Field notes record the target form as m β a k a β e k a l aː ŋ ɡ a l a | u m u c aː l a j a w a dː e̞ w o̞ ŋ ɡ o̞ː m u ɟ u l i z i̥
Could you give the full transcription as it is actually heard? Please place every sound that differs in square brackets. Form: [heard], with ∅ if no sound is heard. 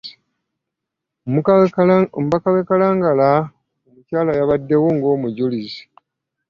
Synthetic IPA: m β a k a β e k a l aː ŋ ɡ a l a | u m u c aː l a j a [β] a dː e̞ w o̞ ŋ ɡ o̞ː m u ɟ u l i z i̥

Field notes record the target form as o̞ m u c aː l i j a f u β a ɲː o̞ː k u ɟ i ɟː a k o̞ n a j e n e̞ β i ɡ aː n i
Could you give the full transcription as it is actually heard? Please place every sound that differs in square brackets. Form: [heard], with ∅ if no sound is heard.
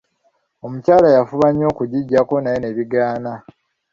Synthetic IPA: o̞ m u c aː l [a] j a f u β a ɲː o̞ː k u ɟ i ɟː a k o̞ n a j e n e̞ β i ɡ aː n [a]

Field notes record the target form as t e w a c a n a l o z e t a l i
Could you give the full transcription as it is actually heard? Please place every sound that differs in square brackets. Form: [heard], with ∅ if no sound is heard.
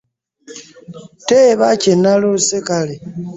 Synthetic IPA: t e [β] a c [e] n a l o [s] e [k] a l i

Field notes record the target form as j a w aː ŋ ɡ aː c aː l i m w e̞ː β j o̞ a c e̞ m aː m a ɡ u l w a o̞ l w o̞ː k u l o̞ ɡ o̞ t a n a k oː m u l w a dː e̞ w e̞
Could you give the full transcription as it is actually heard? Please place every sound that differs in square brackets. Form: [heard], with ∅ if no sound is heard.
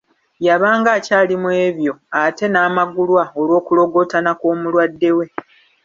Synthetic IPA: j a [β] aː ŋ ɡ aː c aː l i m w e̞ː β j o̞ a [t] e̞ [n] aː m a ɡ u l w a o̞ l w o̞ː k u l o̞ ɡ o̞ t a n a k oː m u l w a dː e̞ w e̞

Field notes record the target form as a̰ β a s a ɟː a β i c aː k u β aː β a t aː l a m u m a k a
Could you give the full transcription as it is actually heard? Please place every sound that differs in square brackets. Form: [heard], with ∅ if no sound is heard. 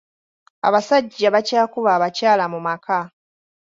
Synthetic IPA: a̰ β a s a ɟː a β [a] c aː k u β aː β a [c] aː l a m u m a k a

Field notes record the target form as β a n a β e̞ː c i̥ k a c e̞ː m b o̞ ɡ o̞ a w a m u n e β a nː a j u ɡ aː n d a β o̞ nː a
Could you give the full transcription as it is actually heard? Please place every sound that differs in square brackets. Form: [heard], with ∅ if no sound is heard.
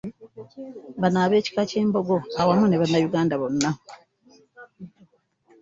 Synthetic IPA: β a n a β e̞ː c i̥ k a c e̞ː m b o̞ ɡ o̞ a w a m u n e β a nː a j u ɡ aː n d a β o̞ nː a

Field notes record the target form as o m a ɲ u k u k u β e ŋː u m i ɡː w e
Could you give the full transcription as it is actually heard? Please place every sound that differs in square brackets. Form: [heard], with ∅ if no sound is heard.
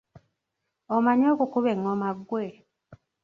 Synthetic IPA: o m a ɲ [o] k u k u β e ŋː [o] m [a] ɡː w e

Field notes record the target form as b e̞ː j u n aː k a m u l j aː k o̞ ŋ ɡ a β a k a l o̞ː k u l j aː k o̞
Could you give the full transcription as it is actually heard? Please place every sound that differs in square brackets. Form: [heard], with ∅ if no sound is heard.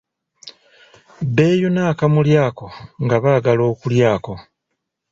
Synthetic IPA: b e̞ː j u n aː k a m u l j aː k o̞ ŋ ɡ a β a [ɡ] a l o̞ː k u l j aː k o̞

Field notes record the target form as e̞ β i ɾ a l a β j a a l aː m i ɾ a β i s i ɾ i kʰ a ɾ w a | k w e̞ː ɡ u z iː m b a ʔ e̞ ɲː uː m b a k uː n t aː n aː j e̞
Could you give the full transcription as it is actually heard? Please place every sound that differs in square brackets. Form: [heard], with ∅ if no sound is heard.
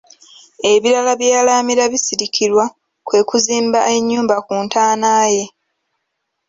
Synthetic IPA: e̞ β i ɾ a l a β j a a l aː m i ɾ a β i s i ɾ i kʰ [i] ɾ w a | k w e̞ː [k] u z iː m b a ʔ e̞ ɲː uː m b a k uː n t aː n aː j e̞

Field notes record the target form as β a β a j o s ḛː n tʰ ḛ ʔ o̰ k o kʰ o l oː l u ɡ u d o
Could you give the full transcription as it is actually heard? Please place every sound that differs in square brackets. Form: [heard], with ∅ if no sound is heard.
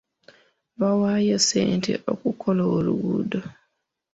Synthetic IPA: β a [w] a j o s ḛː n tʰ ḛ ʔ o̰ k [u] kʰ o l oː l u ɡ u d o

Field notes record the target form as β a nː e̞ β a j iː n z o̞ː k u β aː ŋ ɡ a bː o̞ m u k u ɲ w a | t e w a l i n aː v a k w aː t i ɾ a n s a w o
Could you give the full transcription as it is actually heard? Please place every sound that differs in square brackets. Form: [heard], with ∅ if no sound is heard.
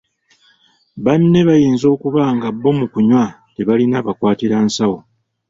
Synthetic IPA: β a nː e̞ β a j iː n z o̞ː k u β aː ŋ ɡ a bː o̞ m u k u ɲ w a | t e [β] a l i n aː [β] a k w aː t i ɾ a n s a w o

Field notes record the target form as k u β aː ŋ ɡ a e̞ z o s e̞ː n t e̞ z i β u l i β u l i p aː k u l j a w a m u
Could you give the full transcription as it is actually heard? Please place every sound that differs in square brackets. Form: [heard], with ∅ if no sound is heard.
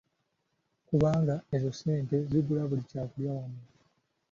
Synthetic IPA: k u β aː ŋ ɡ a e̞ z o s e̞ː n t e̞ z i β u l [a] β u l i [c] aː k u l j a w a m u

